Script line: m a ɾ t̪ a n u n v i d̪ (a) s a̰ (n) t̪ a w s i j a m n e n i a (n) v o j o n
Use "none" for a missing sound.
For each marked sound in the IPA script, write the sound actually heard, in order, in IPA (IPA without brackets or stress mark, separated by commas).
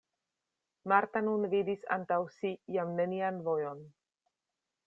i, n, n